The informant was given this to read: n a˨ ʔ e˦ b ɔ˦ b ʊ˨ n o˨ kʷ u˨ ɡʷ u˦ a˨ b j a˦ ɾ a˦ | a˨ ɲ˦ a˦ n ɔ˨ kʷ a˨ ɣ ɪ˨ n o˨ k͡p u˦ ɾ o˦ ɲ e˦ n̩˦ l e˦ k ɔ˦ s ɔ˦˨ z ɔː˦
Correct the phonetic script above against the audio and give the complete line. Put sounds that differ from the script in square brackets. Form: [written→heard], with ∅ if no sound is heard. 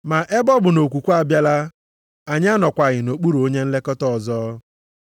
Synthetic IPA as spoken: [n→m] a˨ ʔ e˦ b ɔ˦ b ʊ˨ n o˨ kʷ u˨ [ɡʷ→kʷ] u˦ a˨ b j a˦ [ɾ→l] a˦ | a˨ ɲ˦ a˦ n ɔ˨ kʷ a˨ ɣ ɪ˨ n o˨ k͡p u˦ ɾ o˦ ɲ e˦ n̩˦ l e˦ k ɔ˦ [s→t] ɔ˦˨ z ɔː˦